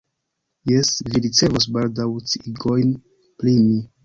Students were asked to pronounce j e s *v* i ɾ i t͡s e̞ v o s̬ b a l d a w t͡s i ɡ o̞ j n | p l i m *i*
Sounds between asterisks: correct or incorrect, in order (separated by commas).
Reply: correct, correct